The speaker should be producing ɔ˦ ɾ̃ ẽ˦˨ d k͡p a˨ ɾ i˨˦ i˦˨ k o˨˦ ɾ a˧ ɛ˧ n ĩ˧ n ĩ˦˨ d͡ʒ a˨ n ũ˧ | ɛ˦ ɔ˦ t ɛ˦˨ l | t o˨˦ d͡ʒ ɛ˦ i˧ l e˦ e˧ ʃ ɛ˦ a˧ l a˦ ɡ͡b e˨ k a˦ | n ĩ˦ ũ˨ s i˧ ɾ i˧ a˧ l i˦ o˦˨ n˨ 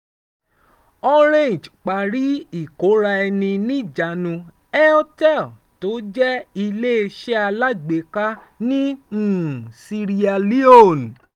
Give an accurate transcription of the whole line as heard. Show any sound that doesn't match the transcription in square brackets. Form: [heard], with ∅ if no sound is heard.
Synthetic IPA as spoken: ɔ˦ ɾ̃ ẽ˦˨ [d͡ʒ] k͡p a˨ ɾ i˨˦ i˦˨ k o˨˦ ɾ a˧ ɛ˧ n ĩ˧ n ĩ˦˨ d͡ʒ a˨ n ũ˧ | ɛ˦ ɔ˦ t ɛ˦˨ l | t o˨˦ d͡ʒ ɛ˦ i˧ l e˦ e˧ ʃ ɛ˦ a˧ l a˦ ɡ͡b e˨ k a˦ | n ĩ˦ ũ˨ s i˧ ɾ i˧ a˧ l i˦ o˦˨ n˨